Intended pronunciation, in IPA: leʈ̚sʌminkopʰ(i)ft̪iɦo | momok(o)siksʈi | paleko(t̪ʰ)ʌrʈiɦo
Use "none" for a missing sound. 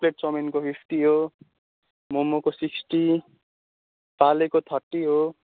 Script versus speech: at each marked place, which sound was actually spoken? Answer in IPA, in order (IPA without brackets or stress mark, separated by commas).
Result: i, o, t̪ʰ